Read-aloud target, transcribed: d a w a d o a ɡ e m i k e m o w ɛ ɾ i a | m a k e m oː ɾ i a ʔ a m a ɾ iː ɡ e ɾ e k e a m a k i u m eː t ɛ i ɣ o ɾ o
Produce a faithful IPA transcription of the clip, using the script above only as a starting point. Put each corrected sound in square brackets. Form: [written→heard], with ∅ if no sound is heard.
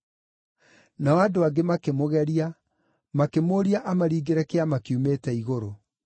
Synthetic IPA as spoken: [d→n] a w a d o a ɡ e m [i→a] k e m o [w→ɣ] ɛ ɾ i a | m a k e m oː ɾ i a ʔ a m a ɾ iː ɡ e ɾ [e→ɛ] k e a m a k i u m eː t ɛ i ɣ o ɾ o

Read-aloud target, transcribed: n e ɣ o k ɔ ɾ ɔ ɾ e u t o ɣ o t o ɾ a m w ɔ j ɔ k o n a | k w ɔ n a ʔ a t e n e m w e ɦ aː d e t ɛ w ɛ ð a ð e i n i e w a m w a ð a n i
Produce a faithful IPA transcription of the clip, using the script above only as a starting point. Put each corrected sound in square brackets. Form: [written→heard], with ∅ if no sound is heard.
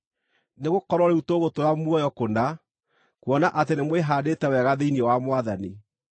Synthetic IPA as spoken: n e ɣ o k ɔ ɾ ɔ ɾ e u t o ɣ o t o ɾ a m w ɔ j ɔ k o n a | k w ɔ n a ʔ a t e n e m w e ɦ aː d e t ɛ w ɛ [ð→ɣ] a ð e i n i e w a m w a ð a n i

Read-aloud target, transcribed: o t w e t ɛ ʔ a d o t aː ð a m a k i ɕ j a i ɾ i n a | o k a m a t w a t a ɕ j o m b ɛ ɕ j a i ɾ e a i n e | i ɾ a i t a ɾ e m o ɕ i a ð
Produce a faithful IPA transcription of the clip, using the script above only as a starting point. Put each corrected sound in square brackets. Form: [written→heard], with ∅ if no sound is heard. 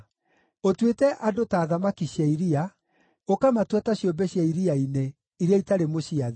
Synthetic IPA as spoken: o t w e t ɛ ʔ a d o t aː ð a m a k i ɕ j a i ɾ i [n→∅] a | o k a m a t w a t a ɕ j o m b ɛ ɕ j a i ɾ [e→i] a i n e | i ɾ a i t a ɾ e m o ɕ i a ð

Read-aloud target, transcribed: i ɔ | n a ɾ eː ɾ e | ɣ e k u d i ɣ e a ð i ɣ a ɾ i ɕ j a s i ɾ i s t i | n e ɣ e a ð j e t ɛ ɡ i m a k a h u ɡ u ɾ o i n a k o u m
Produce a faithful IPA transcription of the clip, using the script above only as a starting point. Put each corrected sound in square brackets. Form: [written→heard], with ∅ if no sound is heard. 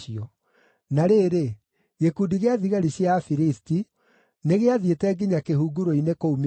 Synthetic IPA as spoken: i ɔ | n a ɾ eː ɾ e | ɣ e k u d i ɣ e a ð i ɣ a ɾ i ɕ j a [s→f] i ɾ i s t i | n e ɣ e a ð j e t ɛ ɡ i [m→ɲ] a k [a→e] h u ɡ u ɾ o i n [a→e] k o u m

